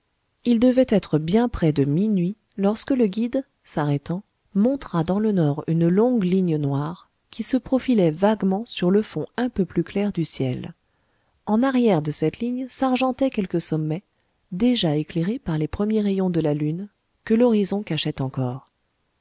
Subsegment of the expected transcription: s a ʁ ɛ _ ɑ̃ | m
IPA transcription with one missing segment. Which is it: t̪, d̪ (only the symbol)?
t̪